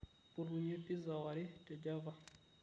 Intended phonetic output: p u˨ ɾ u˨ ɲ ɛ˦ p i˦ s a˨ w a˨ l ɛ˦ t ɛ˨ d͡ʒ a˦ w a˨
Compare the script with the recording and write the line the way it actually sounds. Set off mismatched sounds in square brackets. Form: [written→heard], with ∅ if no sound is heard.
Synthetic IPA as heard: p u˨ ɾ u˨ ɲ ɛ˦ p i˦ [s→z] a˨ w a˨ [l→ɾ] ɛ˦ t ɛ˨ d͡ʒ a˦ [w→v] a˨